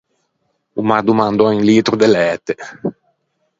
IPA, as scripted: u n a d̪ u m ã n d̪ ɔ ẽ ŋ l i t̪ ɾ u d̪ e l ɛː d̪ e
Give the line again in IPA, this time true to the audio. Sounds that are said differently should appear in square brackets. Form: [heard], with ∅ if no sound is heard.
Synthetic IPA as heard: u [m] a d̪ u m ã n d̪ ɔ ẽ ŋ l i t̪ ɾ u d̪ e l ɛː [t̪] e

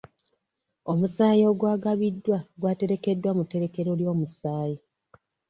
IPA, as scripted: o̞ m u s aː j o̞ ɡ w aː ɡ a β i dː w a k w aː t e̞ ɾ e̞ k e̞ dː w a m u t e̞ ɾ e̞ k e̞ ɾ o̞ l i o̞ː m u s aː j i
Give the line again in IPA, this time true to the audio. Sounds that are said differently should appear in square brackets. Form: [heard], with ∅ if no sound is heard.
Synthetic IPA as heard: o̞ m u s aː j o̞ ɡ w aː ɡ a β i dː w a [ɡ] w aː t e̞ ɾ e̞ k e̞ dː w a m u t e̞ ɾ e̞ k e̞ ɾ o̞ l [j] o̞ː m u s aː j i

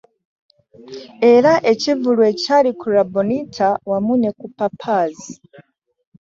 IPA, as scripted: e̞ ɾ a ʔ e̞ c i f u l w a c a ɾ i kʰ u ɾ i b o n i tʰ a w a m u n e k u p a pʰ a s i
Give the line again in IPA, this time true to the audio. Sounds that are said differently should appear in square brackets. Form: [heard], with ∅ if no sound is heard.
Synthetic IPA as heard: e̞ ɾ a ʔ e̞ c i [v] u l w [e] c a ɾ i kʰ u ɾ [a] b o n i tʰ a w a m u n e k u p a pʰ a [z] i

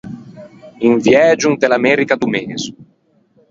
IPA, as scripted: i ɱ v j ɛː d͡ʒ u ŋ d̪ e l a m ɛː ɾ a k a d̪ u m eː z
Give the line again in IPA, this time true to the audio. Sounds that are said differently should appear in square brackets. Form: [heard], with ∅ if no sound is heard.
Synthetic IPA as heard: i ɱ v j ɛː d͡ʒ u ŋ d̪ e l a m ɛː ɾ [i] k a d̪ u m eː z

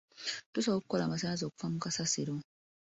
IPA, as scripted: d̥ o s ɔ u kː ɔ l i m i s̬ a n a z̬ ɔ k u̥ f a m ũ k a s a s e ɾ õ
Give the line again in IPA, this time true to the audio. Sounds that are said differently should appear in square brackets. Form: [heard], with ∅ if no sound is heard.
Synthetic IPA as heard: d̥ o s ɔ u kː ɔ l [a] m [a] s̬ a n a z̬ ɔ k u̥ f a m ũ k a s a s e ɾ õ

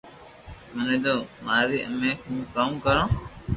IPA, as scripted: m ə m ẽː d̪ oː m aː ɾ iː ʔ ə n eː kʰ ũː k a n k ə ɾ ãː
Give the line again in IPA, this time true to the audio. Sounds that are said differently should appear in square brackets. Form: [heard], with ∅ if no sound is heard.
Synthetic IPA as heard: m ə [n] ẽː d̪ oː m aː ɾ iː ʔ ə [m] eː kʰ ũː k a [m] k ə ɾ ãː

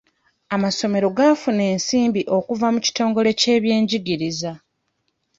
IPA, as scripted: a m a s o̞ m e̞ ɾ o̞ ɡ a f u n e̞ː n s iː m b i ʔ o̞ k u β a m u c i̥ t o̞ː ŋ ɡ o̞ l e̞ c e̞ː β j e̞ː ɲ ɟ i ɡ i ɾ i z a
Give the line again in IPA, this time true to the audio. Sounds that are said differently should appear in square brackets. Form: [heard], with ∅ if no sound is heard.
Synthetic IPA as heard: a m a s o̞ m e̞ ɾ o̞ ɡ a f u n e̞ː n s iː m b i ʔ o̞ k u [v] a m u c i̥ t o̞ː ŋ ɡ o̞ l e̞ c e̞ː β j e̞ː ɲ ɟ i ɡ i ɾ i z a

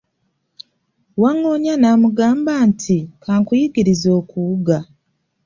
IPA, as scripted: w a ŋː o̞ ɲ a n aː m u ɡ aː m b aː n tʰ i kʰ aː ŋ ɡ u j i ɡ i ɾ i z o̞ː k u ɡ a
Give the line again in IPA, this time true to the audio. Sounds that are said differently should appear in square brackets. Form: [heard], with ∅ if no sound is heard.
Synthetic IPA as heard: w a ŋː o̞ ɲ a n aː m u ɡ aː m b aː n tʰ i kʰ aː ŋ [k] u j i ɡ i ɾ i z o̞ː k u ɡ a

